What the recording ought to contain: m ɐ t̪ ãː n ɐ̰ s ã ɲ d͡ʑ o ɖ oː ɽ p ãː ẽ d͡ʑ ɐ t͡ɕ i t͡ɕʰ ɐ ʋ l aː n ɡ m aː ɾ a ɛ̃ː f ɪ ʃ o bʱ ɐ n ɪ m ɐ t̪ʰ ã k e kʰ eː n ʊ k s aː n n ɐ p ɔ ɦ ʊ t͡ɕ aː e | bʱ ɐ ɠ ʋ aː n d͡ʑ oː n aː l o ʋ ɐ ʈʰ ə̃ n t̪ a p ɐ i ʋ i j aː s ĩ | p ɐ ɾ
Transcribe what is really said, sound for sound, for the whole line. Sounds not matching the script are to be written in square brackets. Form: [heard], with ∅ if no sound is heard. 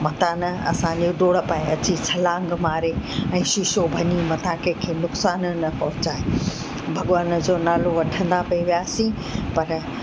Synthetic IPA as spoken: m ɐ t̪ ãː n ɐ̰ s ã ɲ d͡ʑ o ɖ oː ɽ p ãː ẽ [∅] ɐ t͡ɕ i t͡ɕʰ ɐ [∅] l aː [ŋ] ɡ m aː ɾ [e] ɛ̃ː [ʃ] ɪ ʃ o bʱ ɐ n [i] m ɐ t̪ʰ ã k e kʰ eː n ʊ k s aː n n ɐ p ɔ ɦ ʊ t͡ɕ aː e | bʱ ɐ ɠ ʋ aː n d͡ʑ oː n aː l o ʋ ɐ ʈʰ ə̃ n [d̪] a p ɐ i ʋ i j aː s ĩ | p ɐ ɾ